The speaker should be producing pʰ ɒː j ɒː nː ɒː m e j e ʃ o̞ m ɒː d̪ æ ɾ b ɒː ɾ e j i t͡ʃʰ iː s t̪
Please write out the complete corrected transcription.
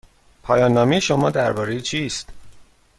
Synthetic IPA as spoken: pʰ ɒː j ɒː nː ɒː m e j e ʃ o̞ m ɒː d̪ æ ɾ b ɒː ɾ e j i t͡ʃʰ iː s t̪